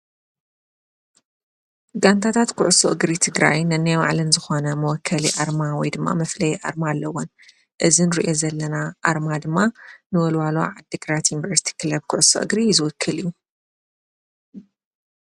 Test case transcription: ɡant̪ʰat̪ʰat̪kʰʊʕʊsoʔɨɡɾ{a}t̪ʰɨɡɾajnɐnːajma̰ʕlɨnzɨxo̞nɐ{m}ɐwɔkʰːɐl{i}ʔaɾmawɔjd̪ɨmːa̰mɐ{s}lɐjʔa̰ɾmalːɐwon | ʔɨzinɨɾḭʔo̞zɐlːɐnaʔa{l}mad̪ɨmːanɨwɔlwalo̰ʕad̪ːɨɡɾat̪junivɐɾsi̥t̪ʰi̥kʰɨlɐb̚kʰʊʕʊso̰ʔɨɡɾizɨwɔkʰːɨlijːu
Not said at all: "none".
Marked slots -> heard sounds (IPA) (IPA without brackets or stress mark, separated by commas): i, m, i, f, ɾ